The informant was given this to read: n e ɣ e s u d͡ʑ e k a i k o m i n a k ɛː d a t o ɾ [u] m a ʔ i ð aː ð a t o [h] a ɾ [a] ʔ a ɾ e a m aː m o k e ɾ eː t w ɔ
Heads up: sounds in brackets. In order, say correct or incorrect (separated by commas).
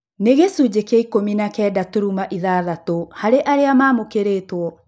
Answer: correct, correct, incorrect